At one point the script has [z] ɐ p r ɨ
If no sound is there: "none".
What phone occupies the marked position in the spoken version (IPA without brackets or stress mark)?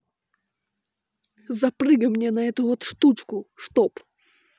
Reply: z